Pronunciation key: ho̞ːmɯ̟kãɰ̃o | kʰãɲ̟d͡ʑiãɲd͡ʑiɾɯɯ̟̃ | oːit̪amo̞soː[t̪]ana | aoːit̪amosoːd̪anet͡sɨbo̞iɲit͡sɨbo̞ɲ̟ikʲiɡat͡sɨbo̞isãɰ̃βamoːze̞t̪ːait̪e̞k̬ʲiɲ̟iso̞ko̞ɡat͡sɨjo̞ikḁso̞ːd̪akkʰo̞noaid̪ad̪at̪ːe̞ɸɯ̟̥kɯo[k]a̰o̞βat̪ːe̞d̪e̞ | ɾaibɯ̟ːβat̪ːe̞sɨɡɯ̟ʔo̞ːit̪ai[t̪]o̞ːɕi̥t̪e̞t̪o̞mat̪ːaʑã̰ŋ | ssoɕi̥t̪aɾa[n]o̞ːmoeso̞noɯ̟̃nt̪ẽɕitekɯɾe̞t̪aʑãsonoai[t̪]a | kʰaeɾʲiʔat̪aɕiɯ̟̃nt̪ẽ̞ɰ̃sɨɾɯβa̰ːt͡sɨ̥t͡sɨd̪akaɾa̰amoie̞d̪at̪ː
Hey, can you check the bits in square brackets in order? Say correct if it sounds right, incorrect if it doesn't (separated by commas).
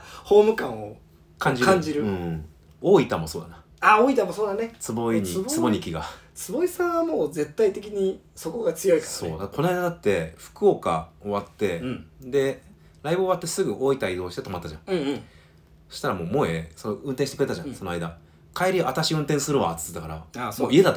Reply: incorrect, correct, incorrect, incorrect, incorrect